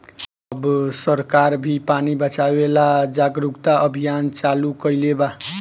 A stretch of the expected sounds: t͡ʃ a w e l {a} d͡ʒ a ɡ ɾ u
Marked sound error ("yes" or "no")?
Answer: no